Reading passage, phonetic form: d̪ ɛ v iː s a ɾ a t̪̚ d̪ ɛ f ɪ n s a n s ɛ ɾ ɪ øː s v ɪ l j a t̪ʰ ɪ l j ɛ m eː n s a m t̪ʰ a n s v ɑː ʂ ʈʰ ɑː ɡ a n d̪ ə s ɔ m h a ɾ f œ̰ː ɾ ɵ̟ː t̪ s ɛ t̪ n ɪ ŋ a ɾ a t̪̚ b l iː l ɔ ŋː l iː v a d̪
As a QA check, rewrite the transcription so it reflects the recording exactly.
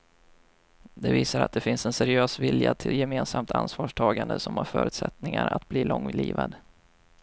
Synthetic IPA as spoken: d̪ ɛ v iː s a ɾ a t̪̚ d̪ ɛ f ɪ n s ɛ n s ɛ ɾ ɪ øː s v ɪ l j a t̪ʰ ɪ l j ɛ m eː n s a m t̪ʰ a n s v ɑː ʂ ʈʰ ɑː ɡ a n d̪ ə s ɔ m h a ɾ f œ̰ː ɾ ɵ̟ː t̪ s ɛ t̪ n ɪ ŋ a ɾ a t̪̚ b l iː l ɔ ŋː l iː v a d̪

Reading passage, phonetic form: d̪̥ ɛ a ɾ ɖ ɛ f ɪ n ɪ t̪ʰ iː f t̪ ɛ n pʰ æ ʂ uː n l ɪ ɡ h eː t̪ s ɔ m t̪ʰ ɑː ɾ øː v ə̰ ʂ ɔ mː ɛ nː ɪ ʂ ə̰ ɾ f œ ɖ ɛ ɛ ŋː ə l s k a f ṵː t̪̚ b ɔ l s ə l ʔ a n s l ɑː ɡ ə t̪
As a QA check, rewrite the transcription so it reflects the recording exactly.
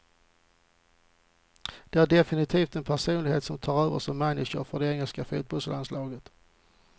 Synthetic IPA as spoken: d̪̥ ɛ æ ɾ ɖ ɛ f ɪ n ɪ t̪ʰ iː f t̪ ɛ n pʰ æ ʂ uː n l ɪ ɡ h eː t̪ s ɔ m t̪ʰ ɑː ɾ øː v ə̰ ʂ ɔ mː ɛ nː ɪ ʂ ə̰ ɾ f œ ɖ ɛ ɛ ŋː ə l s k a f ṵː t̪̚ b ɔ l s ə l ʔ a n s l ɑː ɡ ə t̪

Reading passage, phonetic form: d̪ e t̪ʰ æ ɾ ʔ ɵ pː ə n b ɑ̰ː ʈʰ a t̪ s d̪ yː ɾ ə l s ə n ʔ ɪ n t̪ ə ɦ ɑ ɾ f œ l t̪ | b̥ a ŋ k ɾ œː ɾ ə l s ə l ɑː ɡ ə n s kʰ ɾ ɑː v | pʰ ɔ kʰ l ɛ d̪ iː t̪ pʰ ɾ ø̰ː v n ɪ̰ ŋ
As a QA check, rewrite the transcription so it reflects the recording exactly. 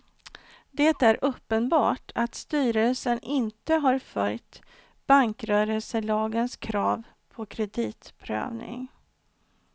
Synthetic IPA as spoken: d̪ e t̪ æ ɾ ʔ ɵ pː ə n b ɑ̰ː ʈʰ a t̪ s t̪ yː ɾ ə l s ə n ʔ ɪ n t̪ ə ɦ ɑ ɾ f œ l t̪ | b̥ a ŋ k ɾ œː ɾ ə l s ə l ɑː ɡ ə n s kʰ ɾ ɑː v | pʰ ɔ kʰ ɾ ɛ d̪ iː t̪ pʰ ɾ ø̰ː v n ɪ̰ ŋ

